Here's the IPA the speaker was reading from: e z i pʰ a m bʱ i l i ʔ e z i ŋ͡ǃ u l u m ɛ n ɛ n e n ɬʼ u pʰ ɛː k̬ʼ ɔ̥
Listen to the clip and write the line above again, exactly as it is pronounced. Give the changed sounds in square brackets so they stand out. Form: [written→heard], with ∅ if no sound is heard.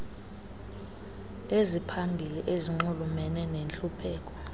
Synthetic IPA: e z i pʰ a m bʱ i l i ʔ e z i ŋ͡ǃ u l u m ɛ n ɛ n e n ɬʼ u pʰ ɛː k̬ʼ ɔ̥